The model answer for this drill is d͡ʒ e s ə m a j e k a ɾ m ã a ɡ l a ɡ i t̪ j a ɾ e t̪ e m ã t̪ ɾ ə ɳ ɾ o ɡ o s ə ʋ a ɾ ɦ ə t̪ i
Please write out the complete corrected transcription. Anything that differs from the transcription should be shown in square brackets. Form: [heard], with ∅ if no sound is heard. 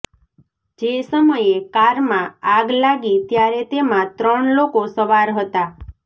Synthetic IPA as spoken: d͡ʒ e s ə m [ə] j e k a ɾ m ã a ɡ l a ɡ i t̪ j a ɾ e t̪ e m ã t̪ ɾ ə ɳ [l] o [k] o s ə ʋ a ɾ ɦ ə t̪ [a]